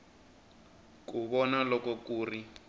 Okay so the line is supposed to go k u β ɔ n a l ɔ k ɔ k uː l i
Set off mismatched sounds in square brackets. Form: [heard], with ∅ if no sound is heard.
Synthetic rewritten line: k u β ɔ n a l ɔ k ɔ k uː [r] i